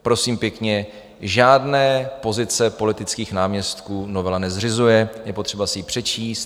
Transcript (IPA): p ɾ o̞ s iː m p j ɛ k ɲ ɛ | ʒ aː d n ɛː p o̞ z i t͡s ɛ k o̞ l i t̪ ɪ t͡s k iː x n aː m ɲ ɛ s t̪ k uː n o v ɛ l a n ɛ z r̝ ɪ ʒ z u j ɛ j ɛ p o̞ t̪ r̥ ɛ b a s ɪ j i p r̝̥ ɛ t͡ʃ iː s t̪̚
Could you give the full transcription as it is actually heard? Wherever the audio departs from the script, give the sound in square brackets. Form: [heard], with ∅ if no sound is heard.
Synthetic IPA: p ɾ o̞ s iː m p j ɛ k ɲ ɛ | ʒ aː d n ɛː p o̞ z [ɪ] t͡s ɛ [p] o̞ l [ɪ] t̪ ɪ t͡s k iː x n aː m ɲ ɛ s t̪ k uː n o v ɛ l a n ɛ z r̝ ɪ [∅] z u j ɛ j ɛ p o̞ t̪ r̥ ɛ b a s ɪ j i p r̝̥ ɛ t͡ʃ iː s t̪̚